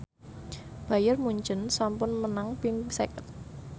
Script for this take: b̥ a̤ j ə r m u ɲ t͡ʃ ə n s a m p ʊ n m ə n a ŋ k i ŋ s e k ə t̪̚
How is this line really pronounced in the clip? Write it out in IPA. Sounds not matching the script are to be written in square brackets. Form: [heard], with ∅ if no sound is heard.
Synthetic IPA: b̥ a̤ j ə r m u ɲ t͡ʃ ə n s a m p ʊ n m ə n a ŋ [p] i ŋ s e k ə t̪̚